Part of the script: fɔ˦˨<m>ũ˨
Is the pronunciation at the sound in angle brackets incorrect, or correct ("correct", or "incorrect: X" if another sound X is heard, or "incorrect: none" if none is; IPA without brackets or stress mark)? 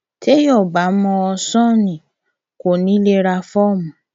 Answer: correct